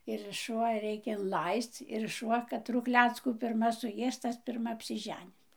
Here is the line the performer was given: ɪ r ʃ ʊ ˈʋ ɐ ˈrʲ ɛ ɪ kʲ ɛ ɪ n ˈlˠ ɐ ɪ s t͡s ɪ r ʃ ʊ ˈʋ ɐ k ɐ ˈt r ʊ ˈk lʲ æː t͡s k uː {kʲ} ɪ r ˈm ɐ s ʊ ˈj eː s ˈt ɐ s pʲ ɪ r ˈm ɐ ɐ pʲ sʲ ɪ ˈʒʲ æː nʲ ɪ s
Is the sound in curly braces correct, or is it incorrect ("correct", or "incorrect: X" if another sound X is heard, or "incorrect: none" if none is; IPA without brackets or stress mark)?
incorrect: pʲ